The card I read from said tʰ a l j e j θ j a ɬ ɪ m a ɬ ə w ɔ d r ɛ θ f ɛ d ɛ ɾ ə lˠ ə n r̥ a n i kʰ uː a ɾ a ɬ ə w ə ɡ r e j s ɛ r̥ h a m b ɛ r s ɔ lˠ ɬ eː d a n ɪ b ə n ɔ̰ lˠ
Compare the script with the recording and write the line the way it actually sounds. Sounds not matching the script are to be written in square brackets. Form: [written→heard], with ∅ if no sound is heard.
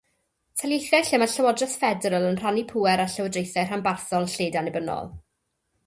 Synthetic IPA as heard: tʰ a l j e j θ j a ɬ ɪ m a ɬ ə w ɔ d r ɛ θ f ɛ d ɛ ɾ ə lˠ ə n r̥ a n i [kʰ→pʰ] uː [a→ɛ] ɾ a ɬ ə w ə [ɡ→d] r e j [s→θ] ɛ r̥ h a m b [ɛ→a] r [s→θ] ɔ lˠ ɬ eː d a n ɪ b ə n ɔ̰ lˠ